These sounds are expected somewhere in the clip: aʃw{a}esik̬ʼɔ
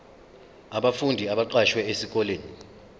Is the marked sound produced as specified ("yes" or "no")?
no